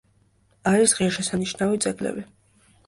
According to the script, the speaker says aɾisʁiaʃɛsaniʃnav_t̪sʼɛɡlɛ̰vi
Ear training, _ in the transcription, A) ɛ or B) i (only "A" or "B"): B